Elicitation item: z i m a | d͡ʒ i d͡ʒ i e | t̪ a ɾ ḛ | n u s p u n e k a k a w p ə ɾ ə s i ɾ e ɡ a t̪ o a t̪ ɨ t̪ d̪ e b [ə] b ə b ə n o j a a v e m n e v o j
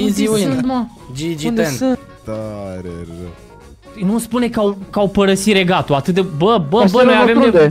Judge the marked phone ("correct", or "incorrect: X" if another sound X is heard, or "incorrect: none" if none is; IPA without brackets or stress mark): correct